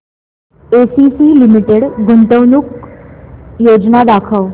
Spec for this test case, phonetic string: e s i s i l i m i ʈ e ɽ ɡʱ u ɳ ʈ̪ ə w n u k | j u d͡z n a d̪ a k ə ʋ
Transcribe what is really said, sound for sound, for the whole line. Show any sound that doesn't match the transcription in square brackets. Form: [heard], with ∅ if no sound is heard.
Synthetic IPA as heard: e s i s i l i m i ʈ e ɽ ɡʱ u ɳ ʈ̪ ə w n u k | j [o] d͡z n a d̪ a [kʰ] ə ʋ

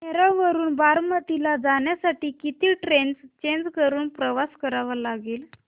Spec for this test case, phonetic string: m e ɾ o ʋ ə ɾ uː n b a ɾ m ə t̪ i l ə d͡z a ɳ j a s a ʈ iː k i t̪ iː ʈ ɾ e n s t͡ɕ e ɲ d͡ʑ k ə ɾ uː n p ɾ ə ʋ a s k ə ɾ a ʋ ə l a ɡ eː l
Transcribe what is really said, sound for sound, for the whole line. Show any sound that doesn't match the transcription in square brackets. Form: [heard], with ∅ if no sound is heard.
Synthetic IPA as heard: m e ɾ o ʋ ə ɾ uː n b a ɾ m ə t̪ i l [a] d͡z a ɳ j a s a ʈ iː k i t̪ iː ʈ ɾ e n s t͡ɕ e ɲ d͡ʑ k ə ɾ uː n p ɾ ə ʋ a s k ə ɾ a ʋ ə l a ɡ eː l

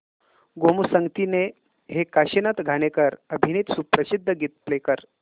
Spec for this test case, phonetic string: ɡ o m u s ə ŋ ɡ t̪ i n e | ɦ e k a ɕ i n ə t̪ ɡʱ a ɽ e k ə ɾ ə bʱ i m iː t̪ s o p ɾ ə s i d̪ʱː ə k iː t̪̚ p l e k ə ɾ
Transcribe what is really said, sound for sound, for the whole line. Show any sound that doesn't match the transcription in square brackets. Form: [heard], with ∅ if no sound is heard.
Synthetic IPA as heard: ɡ o m u s ə ŋ ɡ t̪ i n e | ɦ e k a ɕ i n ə t̪ ɡʱ a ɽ e k ə ɾ ə bʱ i [n] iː t̪ s [u] p ɾ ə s i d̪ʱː ə [ɡ] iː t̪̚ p l e k ə ɾ

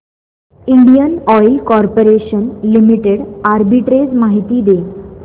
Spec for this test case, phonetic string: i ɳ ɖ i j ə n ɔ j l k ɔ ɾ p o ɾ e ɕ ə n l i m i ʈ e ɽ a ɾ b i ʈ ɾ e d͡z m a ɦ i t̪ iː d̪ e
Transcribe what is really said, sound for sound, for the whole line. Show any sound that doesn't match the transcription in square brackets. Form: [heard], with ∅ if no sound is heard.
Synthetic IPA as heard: i ɳ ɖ i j ə n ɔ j l k ɔ ɾ p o ɾ e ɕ ə n l i m i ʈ e ɽ a ɾ b i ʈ ɾ e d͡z m a ɦ i t̪ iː d̪ e

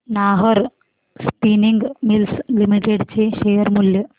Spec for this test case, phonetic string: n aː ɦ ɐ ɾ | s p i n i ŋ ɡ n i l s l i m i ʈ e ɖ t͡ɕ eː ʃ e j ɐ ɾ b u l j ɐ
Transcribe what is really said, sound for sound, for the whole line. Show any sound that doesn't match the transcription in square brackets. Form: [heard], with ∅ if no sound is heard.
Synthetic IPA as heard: n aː ɦ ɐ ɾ | s p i n i ŋ ɡ [m] i l s l i m i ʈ e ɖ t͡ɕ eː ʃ e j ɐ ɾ [m] u l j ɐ

